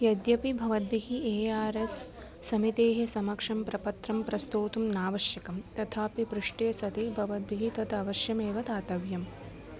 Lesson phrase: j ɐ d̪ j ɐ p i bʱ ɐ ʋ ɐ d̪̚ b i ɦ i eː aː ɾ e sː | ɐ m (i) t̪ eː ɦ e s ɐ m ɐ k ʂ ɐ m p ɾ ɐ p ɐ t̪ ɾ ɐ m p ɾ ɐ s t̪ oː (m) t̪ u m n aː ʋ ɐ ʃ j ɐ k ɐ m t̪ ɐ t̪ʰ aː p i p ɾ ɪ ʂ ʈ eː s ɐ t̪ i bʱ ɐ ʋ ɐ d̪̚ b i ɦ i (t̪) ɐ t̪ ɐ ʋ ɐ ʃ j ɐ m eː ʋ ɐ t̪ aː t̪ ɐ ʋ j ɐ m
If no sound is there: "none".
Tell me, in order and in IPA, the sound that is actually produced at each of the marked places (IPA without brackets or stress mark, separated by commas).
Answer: i, none, t̪